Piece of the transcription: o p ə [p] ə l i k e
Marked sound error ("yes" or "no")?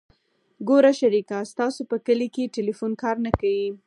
yes